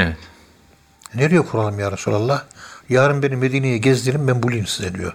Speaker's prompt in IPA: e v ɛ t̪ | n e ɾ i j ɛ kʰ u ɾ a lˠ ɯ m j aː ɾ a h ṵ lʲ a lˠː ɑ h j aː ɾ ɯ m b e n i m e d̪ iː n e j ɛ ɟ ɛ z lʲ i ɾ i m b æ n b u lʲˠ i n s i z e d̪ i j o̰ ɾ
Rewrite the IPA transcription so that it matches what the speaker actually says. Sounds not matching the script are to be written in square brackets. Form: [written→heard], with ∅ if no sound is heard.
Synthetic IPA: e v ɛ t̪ | n e ɾ i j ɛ kʰ u ɾ a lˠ ɯ m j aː ɾ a [h→s] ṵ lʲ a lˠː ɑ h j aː ɾ ɯ m b e n i m e d̪ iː n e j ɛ ɟ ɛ z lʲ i ɾ i m b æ n b u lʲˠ i n s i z e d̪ i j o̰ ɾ